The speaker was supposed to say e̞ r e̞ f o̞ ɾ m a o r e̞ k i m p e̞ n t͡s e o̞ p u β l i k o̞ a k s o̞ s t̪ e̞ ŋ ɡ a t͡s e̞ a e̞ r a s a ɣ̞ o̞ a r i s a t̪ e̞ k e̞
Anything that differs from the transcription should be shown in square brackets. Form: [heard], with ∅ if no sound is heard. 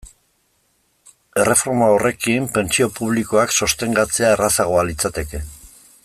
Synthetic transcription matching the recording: e̞ r e̞ f o̞ ɾ m a o r e̞ k i m p e̞ n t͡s [i] o̞ p u β l i k o̞ a k s o̞ s t̪ e̞ ŋ ɡ a t͡s e̞ a e̞ r a s a ɣ̞ o̞ a [l] i [t͡s] a t̪ e̞ k e̞